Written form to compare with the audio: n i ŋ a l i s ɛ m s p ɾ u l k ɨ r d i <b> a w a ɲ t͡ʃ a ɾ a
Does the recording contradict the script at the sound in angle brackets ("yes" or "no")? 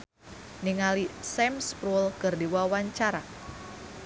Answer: yes